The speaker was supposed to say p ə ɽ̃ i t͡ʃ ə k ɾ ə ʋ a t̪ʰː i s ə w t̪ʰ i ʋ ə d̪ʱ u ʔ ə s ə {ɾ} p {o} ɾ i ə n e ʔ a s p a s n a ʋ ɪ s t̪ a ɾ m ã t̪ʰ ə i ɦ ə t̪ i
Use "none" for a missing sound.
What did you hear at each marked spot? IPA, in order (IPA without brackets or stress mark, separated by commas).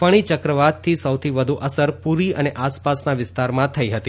ɾ, u